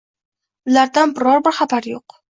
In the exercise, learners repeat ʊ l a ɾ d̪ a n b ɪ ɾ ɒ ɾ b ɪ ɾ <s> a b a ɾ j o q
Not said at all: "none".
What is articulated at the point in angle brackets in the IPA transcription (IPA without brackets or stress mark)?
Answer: χ